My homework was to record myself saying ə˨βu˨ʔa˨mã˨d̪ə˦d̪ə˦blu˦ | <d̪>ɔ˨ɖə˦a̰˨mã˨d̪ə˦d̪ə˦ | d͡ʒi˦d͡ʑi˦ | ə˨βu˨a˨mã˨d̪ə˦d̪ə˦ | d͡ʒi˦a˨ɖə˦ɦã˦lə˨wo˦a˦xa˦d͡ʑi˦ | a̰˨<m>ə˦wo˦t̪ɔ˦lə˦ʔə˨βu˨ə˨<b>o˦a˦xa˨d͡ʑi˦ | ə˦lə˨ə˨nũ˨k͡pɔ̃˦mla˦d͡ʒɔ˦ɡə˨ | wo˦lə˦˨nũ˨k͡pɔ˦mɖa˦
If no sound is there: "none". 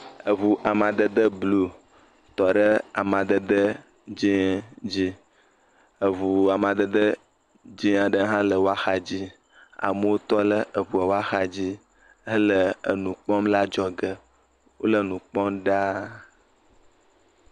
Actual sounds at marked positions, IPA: t̪, m, w

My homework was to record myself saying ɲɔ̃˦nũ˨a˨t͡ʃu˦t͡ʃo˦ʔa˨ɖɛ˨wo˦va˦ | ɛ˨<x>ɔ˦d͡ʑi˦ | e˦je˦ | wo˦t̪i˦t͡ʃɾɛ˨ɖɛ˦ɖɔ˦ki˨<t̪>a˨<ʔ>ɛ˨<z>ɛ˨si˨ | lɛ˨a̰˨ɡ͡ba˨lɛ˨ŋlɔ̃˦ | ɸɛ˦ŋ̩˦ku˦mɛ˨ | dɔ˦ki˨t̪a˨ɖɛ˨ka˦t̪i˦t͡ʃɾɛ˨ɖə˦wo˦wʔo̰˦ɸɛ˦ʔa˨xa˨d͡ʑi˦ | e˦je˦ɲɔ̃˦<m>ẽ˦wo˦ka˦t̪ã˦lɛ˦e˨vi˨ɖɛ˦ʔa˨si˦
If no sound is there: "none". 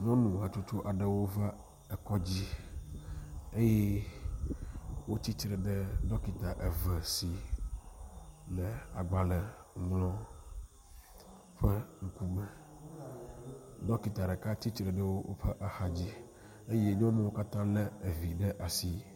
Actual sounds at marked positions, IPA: k, t̪, ʔ, v, m

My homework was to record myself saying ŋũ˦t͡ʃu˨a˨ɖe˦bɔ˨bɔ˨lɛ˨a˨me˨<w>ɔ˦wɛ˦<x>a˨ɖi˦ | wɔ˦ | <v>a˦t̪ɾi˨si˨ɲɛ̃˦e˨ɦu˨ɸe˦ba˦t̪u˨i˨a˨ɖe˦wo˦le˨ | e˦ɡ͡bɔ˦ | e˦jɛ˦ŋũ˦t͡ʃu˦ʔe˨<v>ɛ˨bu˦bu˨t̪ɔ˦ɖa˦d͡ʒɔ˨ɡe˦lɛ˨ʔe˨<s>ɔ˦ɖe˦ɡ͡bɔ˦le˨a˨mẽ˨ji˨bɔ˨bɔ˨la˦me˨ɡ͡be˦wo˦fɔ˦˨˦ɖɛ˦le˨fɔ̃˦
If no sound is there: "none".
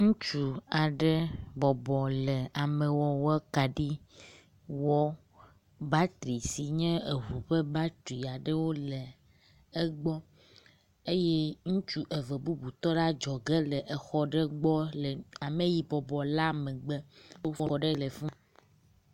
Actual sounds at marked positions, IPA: w, k, b, v, x

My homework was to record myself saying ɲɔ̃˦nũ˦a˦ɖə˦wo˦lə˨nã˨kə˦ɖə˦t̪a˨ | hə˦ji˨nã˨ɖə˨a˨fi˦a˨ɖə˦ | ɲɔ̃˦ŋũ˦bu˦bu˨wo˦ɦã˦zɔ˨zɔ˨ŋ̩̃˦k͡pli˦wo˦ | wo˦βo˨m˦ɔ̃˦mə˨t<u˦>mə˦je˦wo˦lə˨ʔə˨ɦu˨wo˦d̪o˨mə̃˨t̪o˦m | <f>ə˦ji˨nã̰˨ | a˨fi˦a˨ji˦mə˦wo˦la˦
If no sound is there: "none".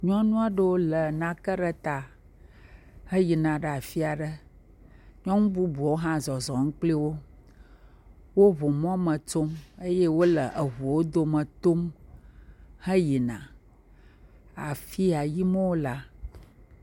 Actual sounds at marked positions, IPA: o˦, h

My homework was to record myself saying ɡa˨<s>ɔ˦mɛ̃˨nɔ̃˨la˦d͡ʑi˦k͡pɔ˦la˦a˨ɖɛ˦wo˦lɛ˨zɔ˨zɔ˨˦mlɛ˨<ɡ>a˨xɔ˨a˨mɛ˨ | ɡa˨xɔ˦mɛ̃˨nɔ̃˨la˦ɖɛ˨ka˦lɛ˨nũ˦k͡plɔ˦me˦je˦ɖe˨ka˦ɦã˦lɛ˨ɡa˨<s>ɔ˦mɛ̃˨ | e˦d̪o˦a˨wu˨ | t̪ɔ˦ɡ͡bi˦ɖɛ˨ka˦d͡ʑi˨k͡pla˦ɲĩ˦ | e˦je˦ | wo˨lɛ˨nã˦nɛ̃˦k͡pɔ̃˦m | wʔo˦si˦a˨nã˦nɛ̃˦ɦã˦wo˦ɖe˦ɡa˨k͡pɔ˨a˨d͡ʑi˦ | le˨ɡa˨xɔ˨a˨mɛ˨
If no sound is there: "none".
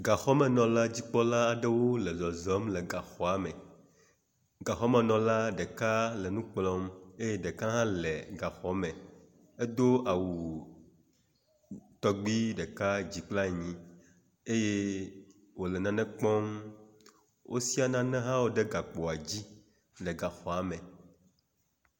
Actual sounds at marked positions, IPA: x, ɡ, x

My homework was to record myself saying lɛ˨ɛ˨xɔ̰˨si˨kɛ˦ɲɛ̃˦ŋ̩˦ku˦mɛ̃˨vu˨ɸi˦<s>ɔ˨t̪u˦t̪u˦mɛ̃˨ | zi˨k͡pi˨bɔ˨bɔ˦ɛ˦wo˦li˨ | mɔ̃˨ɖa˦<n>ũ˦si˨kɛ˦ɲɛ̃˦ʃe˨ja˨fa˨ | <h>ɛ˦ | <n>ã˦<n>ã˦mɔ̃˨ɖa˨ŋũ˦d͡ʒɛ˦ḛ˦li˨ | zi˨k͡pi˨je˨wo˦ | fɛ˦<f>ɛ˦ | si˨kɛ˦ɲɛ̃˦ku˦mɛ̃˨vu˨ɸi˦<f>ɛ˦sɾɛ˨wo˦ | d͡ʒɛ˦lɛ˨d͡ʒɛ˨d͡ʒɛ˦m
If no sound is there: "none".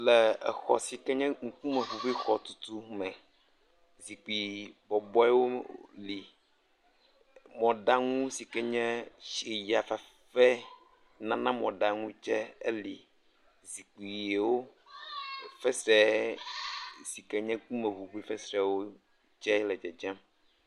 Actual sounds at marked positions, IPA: x, ŋ, f, n, n, s, f

